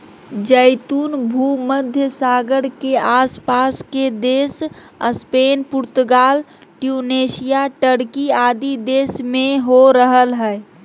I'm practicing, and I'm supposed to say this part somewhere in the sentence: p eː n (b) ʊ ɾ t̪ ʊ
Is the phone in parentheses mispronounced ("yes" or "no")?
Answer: yes